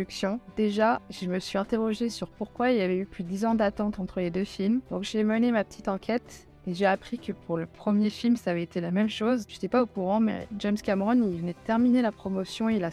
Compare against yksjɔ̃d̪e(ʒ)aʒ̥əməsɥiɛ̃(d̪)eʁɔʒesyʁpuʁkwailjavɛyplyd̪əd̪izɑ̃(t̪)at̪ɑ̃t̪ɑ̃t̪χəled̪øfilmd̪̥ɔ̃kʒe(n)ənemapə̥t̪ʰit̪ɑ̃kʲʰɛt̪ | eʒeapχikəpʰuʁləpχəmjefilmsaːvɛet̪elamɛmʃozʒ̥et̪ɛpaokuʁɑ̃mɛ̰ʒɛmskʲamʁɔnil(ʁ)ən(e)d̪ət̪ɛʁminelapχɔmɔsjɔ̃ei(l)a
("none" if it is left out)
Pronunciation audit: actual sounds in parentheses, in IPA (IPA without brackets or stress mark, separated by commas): ʒ, t̪, d̪, m, v, ɛ, l